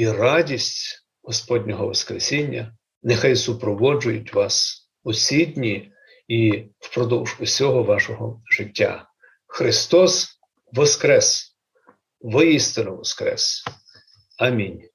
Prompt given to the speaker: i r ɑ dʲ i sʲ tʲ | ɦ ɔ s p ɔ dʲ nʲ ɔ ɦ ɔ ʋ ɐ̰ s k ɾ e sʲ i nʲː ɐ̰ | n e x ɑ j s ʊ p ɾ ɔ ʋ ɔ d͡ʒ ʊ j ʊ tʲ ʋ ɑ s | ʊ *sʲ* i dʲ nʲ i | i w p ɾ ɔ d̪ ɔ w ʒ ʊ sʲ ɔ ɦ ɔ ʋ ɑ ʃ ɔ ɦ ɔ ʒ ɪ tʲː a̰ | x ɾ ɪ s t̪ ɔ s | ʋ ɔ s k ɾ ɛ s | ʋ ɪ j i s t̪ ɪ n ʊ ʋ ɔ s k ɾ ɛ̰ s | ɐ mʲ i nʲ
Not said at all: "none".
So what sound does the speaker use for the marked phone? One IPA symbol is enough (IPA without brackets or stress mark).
sʲ